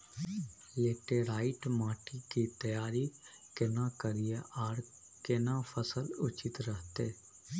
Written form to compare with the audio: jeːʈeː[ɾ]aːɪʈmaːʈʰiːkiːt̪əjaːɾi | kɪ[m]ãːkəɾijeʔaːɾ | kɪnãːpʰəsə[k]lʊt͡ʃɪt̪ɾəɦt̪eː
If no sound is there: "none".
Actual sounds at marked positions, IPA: ɾ, n, none

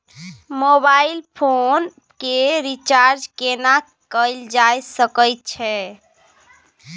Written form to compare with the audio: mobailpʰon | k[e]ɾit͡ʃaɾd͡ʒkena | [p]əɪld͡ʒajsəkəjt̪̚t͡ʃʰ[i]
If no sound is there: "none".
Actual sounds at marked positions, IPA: e, k, ɛ

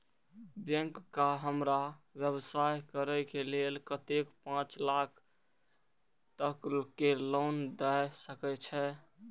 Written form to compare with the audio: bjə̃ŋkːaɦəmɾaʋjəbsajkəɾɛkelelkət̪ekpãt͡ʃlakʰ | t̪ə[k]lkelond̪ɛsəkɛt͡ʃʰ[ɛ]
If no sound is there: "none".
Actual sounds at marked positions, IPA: k, ɛ

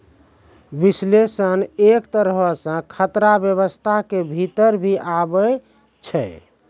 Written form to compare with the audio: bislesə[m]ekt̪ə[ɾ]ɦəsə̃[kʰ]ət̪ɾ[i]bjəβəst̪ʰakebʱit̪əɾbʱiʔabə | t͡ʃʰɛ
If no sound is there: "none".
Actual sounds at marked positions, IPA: n, ɾ, kʰ, a

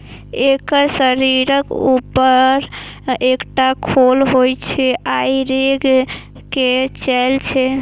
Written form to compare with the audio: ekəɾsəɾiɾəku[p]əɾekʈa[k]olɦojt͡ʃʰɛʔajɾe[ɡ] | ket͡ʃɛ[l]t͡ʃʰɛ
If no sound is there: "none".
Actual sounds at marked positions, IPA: p, kʰ, ɡ, l

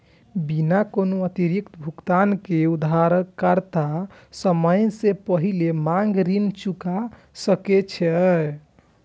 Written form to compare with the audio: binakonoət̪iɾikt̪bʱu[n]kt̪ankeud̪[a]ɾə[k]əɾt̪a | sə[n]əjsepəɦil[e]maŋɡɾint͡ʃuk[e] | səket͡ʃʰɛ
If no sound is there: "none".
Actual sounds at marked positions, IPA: none, a, k, m, e, a

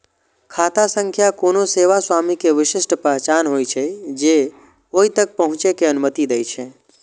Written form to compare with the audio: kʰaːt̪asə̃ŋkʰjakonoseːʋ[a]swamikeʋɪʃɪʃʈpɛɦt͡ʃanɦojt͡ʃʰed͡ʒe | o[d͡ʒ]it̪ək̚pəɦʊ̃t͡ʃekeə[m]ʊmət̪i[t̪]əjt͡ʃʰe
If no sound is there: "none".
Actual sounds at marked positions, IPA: a, none, n, d̪

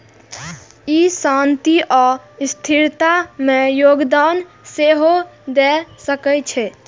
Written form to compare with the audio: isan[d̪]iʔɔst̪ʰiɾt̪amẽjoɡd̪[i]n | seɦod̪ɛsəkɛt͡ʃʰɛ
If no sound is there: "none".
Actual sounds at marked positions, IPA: t̪, a

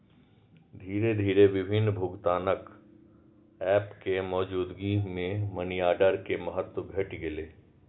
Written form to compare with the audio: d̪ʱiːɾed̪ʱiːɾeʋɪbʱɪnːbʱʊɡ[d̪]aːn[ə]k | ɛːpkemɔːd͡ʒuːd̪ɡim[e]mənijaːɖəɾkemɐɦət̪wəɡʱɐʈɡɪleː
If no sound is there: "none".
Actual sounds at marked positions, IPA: t̪, ə, ẽ

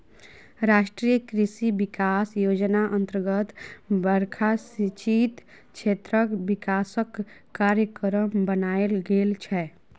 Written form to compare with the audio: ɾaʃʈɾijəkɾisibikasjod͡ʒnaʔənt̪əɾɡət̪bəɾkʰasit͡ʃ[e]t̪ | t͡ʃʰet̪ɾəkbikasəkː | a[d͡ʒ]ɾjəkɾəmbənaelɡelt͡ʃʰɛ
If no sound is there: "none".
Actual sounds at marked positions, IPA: i, none

